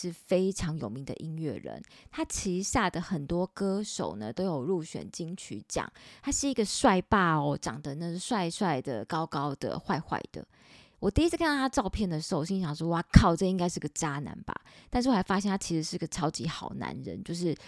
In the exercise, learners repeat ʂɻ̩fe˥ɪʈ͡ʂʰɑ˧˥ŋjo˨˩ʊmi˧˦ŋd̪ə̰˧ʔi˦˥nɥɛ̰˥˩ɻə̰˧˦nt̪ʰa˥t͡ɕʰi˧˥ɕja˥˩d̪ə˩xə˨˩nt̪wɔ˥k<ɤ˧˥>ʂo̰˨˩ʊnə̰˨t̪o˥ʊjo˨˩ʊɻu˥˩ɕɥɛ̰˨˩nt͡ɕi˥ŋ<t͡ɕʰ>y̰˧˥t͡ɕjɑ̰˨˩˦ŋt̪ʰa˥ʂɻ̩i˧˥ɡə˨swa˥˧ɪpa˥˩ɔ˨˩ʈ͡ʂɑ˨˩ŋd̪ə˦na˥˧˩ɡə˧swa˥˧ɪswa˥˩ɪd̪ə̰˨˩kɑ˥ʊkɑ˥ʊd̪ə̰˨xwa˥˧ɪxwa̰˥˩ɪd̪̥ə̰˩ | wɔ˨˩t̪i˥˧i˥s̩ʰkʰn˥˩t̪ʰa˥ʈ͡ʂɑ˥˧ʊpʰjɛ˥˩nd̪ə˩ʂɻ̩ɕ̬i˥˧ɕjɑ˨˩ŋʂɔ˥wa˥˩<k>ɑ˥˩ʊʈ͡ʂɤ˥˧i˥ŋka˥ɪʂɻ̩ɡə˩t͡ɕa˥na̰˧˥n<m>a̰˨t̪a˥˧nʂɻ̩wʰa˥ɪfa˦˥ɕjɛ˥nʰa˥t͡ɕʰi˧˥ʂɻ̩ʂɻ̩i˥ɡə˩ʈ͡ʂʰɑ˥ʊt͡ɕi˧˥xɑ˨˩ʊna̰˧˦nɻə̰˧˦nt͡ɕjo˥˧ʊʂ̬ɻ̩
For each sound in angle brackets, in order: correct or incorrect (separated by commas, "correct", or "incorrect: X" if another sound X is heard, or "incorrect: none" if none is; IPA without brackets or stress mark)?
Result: incorrect: ɤ˥, correct, incorrect: kʰ, incorrect: b